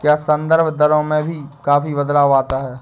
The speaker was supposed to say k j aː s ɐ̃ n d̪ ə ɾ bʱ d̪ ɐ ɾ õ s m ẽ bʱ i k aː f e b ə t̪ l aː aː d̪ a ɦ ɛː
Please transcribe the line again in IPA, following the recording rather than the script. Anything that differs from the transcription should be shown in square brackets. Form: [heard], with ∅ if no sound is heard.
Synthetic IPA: k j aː s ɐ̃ n d̪ ə ɾ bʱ d̪ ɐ ɾ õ [∅] m ẽ bʱ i k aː f [i] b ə [d̪] l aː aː [t̪] a ɦ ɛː